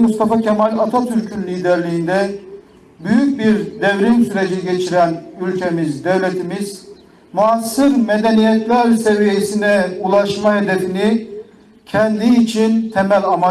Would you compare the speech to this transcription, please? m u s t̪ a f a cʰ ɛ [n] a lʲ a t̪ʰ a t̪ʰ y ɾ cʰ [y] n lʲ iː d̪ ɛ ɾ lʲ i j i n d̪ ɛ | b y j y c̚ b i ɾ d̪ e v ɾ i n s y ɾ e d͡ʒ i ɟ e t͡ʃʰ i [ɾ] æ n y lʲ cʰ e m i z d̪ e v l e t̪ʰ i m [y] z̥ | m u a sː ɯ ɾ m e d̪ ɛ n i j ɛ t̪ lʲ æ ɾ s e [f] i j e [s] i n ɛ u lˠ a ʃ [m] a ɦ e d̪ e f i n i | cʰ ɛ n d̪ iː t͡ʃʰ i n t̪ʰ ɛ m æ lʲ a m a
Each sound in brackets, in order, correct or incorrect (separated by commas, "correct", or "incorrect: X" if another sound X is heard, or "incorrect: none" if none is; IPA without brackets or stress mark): incorrect: m, correct, correct, incorrect: i, incorrect: v, correct, correct